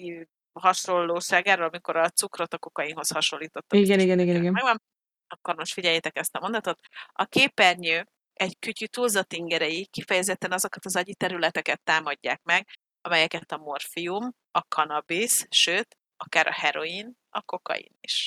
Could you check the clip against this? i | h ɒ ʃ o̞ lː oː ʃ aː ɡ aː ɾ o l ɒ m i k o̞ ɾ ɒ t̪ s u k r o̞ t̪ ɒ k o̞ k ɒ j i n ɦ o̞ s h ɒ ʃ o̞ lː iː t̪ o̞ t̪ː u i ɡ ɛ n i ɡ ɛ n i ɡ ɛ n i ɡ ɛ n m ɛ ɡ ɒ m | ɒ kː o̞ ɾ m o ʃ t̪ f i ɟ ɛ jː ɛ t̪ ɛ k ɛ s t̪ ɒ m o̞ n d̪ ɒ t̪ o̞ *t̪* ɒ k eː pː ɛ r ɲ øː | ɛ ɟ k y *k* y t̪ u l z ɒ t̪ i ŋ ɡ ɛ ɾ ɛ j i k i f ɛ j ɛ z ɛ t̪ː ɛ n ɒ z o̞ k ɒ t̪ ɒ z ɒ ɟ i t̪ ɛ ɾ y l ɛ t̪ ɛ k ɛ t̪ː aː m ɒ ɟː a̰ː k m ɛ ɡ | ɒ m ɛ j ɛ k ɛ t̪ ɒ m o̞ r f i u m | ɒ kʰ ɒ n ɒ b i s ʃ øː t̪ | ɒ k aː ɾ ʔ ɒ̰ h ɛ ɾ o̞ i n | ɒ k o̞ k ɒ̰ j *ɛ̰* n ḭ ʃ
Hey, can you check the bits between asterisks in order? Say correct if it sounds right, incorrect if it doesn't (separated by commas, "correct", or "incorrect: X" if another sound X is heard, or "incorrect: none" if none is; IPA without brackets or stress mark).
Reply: correct, incorrect: c, incorrect: ḭ